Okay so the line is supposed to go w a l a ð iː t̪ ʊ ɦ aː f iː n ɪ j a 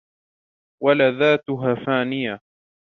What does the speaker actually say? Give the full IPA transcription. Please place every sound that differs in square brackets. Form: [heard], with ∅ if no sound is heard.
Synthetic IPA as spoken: w a l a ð [aː] t̪ ʊ ɦ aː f [aː] n ɪ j a